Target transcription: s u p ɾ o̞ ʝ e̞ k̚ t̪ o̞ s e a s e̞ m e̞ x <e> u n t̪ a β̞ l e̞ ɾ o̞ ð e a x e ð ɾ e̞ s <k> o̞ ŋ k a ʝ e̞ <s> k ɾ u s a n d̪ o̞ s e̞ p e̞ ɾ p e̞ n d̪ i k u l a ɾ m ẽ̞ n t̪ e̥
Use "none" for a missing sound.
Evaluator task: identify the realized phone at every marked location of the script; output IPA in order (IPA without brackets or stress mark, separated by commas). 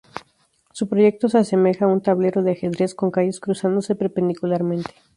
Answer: a, k, s